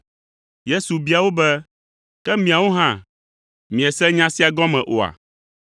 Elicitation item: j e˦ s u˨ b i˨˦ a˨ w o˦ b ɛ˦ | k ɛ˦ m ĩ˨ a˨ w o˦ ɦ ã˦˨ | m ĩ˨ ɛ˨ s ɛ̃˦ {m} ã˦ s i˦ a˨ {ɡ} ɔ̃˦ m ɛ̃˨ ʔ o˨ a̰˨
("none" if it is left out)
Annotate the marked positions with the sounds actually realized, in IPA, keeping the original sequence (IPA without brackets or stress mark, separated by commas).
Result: ɲ, ɡ